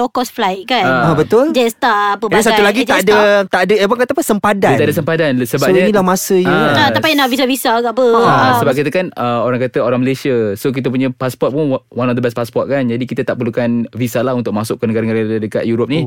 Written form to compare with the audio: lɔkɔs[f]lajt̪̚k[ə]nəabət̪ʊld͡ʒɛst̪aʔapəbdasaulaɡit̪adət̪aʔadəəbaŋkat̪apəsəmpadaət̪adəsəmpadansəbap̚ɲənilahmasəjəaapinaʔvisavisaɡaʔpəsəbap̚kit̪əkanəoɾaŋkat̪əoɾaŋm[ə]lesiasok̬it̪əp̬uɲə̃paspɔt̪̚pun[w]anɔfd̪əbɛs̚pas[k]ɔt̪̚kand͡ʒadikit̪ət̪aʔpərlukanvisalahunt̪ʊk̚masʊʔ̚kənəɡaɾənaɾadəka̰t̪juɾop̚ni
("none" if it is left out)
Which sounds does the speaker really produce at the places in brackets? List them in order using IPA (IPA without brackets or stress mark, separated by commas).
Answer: f, a, ə, w, p